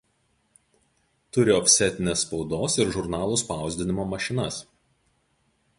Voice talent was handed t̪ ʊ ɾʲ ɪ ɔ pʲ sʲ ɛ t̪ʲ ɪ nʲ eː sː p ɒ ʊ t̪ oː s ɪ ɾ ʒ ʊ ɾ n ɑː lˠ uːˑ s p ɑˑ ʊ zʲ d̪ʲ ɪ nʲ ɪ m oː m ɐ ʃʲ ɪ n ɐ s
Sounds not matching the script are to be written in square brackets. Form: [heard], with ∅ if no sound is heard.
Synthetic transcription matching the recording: t̪ ʊ ɾʲ ɪ ɔ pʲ sʲ ɛ t̪ʲ ɪ nʲ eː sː p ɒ ʊ [d̪] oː s ɪ ɾ ʒ ʊ ɾ n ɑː lˠ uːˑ s p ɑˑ ʊ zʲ d̪ʲ ɪ nʲ ɪ m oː m ɐ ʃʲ ɪ n ɐ s